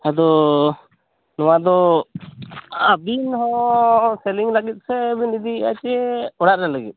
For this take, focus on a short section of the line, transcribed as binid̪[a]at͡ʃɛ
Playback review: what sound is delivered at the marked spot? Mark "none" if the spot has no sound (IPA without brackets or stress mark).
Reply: i